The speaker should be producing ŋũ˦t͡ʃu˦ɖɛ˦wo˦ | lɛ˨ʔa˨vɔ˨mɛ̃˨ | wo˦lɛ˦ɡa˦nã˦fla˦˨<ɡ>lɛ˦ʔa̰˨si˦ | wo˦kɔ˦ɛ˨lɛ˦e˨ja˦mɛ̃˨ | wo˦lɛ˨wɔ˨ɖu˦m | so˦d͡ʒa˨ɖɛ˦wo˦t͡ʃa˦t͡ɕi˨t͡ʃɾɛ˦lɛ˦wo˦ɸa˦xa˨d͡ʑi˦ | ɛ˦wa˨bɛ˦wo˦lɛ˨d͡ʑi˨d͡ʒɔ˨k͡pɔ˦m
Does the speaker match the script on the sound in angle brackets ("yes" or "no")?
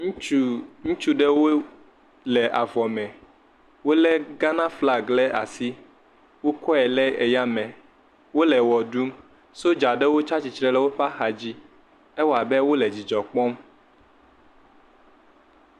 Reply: yes